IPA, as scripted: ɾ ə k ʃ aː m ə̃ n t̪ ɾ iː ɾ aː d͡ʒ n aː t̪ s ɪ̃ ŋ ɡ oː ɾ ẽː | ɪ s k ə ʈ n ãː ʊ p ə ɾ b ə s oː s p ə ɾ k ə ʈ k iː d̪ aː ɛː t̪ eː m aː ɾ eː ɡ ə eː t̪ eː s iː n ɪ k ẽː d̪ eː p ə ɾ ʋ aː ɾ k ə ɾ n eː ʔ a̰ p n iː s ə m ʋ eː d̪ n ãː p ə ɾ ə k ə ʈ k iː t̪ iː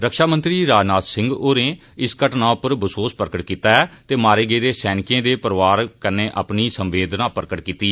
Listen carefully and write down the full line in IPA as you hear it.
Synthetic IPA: ɾ ə k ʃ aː m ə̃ n t̪ ɾ iː ɾ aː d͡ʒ n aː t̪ s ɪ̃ ŋ ɡ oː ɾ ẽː | ɪ s k ə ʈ n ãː ʊ p ə ɾ b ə s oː s p ə ɾ k ə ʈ k iː t̪ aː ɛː t̪ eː m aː ɾ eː ɡ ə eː d̪ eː s ɛː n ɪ k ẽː d̪ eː p ə ɾ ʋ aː ɾ k ə ɾ n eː ʔ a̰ p n iː s ə m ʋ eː d̪ n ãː p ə ɾ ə k ə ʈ k iː t̪ iː